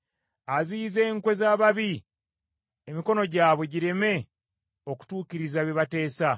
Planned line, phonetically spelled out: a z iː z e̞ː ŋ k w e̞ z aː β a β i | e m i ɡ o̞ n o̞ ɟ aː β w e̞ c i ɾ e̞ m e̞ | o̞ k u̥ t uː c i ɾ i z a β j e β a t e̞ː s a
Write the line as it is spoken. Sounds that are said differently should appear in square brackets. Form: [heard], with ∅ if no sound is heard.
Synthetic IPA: a z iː z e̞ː ŋ k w e̞ z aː β a β i | e m i [k] o̞ n o̞ ɟ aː β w e̞ [ɟ] i ɾ e̞ m e̞ | o̞ k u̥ t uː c i ɾ i z a β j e β a t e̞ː s a